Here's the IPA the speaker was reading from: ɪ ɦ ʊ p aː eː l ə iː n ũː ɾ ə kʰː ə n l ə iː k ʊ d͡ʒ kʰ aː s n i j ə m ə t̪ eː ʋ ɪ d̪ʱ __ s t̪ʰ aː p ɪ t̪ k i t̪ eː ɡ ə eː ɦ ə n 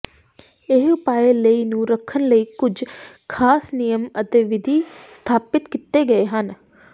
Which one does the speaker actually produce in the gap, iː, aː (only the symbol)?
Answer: iː